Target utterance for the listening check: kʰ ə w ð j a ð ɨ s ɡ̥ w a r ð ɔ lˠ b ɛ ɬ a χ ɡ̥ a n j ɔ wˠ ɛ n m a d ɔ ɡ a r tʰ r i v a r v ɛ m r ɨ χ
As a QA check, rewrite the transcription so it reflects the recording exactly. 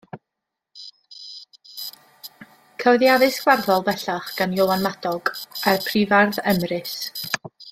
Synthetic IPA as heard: kʰ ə w ð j a ð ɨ s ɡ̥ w a r ð ɔ lˠ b ɛ ɬ a χ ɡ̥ a n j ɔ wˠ a n m a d ɔ ɡ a r pʰ r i v a r ð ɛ m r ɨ s